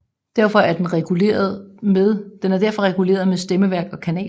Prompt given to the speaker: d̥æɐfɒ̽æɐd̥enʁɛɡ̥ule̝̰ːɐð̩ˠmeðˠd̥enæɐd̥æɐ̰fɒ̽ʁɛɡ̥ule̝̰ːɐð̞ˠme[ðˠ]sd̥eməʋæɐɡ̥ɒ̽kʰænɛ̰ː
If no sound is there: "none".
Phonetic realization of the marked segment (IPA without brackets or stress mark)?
none